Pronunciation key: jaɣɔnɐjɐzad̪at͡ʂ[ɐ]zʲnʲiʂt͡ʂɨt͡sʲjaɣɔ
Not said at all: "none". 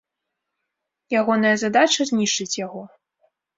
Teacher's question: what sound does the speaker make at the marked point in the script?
ɐ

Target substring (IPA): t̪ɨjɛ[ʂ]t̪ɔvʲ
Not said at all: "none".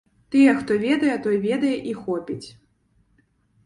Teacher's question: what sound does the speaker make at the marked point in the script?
x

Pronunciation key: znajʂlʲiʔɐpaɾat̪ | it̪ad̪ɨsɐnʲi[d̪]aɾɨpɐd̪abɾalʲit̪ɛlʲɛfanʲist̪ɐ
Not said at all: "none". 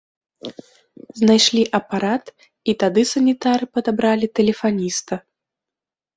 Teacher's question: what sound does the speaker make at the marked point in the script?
t̪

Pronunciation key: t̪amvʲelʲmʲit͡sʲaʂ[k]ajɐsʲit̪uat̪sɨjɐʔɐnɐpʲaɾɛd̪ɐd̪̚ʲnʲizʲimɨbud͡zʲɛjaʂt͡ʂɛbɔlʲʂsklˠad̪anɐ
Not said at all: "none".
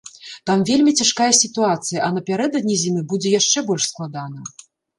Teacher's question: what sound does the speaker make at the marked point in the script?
k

